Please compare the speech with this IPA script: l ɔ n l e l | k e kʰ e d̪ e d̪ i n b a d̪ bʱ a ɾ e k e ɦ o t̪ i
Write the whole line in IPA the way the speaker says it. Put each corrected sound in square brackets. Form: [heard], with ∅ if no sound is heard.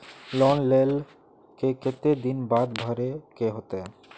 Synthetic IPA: l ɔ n l e l | k e [k] e [t̪] e d̪ i n b a d̪ bʱ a ɾ e k e ɦ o t̪ [e]